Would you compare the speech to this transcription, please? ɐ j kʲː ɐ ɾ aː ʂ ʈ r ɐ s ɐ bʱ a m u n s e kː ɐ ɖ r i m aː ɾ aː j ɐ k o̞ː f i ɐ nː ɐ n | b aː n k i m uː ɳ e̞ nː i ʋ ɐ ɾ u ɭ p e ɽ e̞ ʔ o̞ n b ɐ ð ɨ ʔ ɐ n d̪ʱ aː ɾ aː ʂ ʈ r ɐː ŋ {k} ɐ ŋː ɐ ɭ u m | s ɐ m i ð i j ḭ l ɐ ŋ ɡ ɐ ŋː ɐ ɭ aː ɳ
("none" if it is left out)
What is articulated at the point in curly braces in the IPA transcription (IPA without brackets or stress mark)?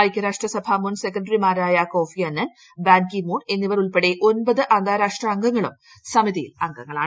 ɡ